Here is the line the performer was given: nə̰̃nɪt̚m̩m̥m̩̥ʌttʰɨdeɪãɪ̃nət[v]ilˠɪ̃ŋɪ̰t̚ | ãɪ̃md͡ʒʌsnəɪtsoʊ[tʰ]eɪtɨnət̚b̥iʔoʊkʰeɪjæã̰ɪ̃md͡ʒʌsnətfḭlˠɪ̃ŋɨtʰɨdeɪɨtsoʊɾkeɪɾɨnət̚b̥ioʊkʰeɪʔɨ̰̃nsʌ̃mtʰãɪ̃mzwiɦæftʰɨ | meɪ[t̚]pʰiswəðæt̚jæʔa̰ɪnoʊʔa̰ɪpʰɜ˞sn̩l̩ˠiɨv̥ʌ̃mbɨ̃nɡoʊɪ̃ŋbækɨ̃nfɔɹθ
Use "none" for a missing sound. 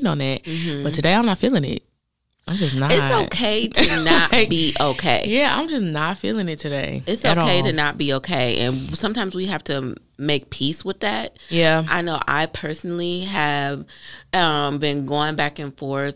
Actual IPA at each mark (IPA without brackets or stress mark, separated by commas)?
f, kʰ, k̚